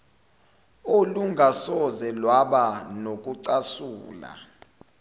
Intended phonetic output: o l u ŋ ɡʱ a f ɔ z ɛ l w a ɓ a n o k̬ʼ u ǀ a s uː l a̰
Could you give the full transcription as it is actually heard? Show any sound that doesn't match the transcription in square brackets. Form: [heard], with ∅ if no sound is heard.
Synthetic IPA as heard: o l u ŋ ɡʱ a [s] ɔ z ɛ l w a ɓ a n o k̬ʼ u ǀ a s uː l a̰